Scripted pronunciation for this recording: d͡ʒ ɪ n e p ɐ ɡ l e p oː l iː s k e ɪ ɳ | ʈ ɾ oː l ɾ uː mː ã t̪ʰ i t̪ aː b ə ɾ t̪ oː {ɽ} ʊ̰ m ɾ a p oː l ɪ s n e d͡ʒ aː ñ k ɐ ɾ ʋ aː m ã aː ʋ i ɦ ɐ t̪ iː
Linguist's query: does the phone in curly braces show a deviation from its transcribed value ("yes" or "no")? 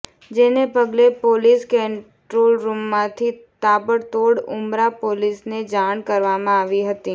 no